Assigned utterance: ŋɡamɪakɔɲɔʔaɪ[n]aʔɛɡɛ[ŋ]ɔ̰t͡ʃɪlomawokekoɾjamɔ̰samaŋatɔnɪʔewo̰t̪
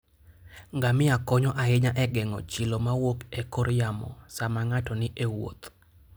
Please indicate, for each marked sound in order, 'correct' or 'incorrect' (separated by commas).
incorrect, correct